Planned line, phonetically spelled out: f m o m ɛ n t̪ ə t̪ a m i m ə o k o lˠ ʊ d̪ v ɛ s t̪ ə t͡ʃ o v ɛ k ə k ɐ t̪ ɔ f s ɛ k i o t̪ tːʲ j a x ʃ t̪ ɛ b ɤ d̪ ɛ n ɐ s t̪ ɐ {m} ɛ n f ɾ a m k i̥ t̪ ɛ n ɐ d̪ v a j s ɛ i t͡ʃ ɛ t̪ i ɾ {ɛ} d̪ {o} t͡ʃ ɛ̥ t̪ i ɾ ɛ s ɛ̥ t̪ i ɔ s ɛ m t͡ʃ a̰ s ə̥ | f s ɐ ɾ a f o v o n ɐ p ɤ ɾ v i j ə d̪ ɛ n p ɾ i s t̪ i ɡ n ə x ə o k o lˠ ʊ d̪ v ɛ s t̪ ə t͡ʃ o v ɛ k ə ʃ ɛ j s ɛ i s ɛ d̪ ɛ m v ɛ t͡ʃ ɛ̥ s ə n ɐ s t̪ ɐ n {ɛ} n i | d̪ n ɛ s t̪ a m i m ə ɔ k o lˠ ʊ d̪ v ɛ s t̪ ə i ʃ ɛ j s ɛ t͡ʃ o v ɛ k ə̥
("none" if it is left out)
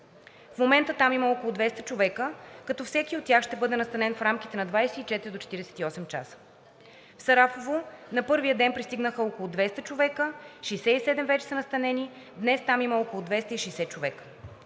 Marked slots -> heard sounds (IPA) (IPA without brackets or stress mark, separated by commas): n, i, o, ɛ